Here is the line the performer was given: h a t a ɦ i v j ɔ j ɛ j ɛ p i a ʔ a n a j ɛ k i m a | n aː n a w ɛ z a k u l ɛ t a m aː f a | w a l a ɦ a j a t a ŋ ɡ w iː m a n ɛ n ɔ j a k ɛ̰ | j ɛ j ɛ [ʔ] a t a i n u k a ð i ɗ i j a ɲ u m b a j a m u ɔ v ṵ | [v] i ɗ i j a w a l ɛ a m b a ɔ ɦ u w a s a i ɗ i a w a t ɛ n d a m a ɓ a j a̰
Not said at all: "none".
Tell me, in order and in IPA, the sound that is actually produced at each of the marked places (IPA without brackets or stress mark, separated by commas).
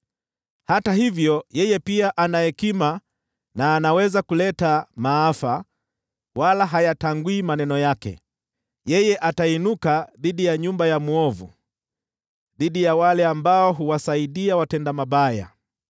ʔ, ð